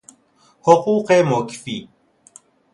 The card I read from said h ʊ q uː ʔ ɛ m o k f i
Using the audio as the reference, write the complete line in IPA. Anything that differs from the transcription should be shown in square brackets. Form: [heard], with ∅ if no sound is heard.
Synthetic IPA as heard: h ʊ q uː [q] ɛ m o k f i